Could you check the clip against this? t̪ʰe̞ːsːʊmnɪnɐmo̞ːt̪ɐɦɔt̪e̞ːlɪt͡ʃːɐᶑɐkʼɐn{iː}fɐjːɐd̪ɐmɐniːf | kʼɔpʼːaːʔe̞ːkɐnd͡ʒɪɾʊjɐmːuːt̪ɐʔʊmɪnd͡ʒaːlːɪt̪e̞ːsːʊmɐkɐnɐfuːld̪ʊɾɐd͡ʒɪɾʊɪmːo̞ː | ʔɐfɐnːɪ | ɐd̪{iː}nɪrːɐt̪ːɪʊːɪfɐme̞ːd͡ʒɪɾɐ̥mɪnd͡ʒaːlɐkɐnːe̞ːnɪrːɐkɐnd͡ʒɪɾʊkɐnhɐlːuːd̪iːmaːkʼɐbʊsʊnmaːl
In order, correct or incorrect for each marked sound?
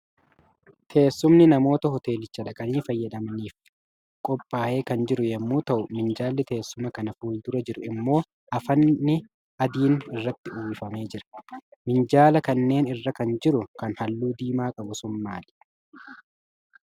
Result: correct, correct

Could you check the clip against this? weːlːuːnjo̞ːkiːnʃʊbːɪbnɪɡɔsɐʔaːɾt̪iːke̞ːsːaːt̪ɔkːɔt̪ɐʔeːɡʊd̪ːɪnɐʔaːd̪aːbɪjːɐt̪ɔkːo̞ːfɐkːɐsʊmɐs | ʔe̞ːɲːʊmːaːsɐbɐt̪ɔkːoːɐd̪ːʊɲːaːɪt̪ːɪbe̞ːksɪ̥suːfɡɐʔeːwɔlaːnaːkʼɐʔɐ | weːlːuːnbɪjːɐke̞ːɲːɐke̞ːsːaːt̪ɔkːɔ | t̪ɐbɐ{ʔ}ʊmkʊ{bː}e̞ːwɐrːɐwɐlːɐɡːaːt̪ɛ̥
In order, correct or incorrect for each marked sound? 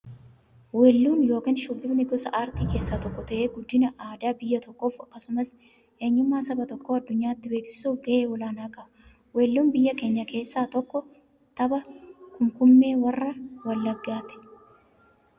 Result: incorrect, incorrect

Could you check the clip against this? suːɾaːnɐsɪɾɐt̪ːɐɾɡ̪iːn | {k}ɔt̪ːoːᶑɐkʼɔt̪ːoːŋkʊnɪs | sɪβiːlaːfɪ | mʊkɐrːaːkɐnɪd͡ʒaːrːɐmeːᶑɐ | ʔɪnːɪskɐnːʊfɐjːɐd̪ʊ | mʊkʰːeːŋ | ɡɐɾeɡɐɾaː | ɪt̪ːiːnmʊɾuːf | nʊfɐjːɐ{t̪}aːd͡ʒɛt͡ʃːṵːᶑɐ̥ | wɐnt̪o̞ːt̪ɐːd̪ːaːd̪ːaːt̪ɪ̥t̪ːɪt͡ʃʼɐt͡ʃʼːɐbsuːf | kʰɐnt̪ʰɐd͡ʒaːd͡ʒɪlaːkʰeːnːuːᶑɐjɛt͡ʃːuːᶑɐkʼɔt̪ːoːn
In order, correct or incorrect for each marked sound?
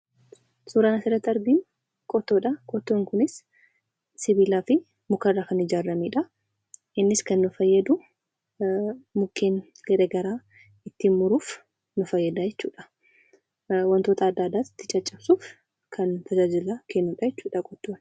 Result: incorrect, incorrect

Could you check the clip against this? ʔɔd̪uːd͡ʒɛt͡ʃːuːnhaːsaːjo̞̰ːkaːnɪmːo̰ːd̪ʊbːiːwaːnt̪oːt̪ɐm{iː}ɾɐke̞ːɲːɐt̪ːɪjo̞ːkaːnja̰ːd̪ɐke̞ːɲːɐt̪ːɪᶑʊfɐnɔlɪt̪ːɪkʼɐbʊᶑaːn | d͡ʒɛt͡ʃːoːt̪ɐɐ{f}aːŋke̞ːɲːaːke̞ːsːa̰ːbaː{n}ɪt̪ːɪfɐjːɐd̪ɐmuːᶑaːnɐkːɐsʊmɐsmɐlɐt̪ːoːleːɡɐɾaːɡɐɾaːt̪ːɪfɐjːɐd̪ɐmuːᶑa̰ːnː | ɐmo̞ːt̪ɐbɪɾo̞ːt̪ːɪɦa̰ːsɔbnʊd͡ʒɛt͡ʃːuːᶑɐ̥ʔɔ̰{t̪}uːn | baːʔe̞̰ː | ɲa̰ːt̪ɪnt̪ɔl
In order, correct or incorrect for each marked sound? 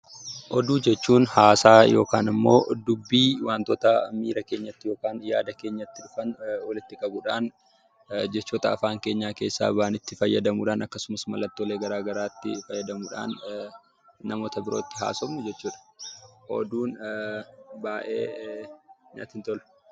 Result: correct, correct, correct, incorrect

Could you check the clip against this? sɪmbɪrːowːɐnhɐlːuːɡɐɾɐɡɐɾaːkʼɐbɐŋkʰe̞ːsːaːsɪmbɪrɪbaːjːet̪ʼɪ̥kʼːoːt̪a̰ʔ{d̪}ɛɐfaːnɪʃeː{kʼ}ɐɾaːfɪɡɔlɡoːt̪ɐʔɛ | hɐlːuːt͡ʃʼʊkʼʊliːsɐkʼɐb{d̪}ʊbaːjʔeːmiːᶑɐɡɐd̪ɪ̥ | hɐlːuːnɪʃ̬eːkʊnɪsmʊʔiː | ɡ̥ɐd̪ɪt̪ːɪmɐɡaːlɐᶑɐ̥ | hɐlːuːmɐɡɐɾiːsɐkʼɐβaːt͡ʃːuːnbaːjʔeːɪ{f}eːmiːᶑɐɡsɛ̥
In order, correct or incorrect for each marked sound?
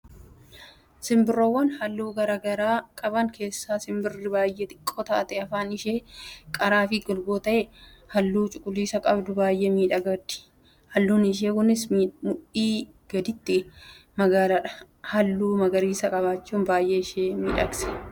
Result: incorrect, correct, correct, incorrect

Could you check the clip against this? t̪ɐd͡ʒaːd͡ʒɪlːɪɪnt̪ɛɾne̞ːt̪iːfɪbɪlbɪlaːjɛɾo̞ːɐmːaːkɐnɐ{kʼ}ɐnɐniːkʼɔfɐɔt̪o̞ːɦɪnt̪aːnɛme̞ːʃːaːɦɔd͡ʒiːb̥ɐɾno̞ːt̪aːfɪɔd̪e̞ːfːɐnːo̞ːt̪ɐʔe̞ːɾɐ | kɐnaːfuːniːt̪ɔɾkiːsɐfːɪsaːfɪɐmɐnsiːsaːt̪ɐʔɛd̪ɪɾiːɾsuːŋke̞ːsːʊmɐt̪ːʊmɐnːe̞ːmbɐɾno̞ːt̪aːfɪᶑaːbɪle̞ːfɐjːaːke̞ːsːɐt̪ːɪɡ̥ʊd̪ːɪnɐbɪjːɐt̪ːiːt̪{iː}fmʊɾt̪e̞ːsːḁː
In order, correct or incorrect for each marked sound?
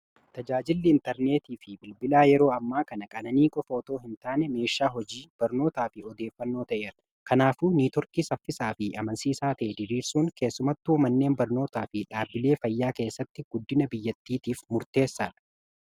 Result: correct, correct

